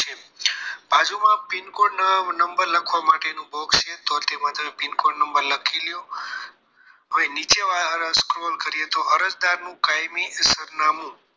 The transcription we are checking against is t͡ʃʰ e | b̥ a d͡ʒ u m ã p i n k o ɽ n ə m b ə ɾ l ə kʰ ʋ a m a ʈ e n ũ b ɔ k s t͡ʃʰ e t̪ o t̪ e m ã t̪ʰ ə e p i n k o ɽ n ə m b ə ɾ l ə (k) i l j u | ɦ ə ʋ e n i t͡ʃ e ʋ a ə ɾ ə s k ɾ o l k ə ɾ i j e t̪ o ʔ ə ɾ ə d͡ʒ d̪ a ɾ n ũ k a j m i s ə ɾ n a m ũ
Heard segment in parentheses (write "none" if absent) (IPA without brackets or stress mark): kʰ